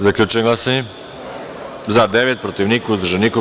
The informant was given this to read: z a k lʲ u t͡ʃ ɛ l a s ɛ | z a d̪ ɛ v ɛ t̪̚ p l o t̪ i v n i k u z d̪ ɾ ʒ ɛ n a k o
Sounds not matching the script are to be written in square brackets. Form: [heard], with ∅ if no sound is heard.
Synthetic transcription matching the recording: z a k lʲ u t͡ʃ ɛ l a s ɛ | z a d̪ ɛ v ɛ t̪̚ p [ɾ] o t̪ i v n i k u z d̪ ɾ ʒ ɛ n [i] k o

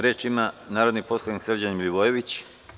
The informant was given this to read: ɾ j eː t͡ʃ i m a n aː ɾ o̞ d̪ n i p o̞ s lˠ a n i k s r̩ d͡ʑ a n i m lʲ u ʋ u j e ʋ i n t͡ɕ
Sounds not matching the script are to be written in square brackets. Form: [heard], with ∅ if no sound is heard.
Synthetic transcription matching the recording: ɾ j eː t͡ʃ i m a n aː ɾ o̞ d̪ n i p o̞ s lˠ a n i k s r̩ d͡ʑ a n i m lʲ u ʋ [o] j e ʋ i [∅] t͡ɕ

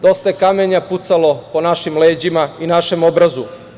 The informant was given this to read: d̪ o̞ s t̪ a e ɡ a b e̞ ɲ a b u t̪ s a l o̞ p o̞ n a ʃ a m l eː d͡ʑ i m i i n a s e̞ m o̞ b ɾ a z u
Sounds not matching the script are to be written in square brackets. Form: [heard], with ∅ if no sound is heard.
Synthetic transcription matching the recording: d̪ o̞ s t̪ a e [k] a [m] e̞ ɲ a [p] u t̪ s a l o̞ p o̞ n a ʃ [i] m l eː d͡ʑ i m [a] i n a [ʃ] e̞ m o̞ b ɾ a z u

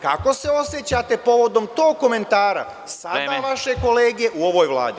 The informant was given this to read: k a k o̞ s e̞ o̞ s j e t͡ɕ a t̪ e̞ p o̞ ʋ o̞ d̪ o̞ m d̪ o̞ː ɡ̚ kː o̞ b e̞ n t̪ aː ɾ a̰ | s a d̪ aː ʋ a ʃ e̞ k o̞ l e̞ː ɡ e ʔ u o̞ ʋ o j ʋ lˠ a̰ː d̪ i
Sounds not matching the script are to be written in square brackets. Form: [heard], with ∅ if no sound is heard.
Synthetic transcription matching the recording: k a k o̞ s e̞ o̞ s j e t͡ɕ a t̪ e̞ p o̞ ʋ o̞ d̪ o̞ m [t̪] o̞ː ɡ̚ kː o̞ [m] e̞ n t̪ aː ɾ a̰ | s a d̪ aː ʋ a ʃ e̞ k o̞ l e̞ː ɡ e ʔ u o̞ ʋ o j ʋ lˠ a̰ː d̪ i

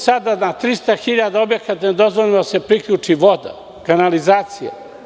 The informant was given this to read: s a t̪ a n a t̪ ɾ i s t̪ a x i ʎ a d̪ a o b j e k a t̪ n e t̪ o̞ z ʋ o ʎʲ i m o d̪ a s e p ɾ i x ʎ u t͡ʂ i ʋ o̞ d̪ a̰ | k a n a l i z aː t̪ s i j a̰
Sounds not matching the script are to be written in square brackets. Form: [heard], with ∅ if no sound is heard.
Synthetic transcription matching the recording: s a [d̪] a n a t̪ ɾ i s t̪ a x i ʎ a d̪ a o b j e k a t̪ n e [d̪] o̞ z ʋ o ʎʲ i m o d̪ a s e p ɾ i [k] ʎ u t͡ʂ i ʋ o̞ d̪ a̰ | k a n a l i z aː t̪ s i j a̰

